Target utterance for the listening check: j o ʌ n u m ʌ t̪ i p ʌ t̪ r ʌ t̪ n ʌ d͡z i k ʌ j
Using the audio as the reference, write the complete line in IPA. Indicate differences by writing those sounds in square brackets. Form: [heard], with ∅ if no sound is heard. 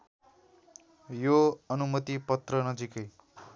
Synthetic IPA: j o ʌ n u m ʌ t̪ i p ʌ t̪ r ʌ [∅] n ʌ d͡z i k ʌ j